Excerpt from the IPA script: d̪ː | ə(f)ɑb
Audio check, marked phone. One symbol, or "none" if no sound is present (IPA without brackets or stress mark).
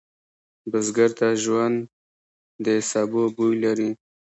s